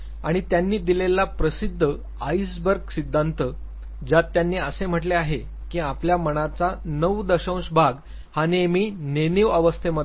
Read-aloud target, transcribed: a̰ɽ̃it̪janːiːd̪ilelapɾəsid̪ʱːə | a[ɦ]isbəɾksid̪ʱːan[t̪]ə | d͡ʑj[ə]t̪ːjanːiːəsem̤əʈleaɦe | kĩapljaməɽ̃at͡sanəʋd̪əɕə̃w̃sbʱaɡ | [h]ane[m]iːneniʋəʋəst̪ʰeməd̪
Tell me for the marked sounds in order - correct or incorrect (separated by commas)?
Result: incorrect, correct, incorrect, correct, correct